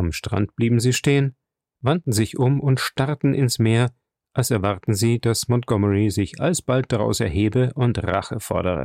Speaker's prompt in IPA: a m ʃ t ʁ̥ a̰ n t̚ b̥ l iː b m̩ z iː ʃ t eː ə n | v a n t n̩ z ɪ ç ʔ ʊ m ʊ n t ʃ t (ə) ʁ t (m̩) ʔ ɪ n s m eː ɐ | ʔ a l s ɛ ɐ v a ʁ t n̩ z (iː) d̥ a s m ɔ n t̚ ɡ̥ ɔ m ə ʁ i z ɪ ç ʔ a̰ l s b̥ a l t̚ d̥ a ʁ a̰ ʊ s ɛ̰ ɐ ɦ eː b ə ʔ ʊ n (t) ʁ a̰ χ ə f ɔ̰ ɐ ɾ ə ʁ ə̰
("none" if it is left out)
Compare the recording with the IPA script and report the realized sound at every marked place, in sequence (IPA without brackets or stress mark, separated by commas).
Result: a, n̩, iː, t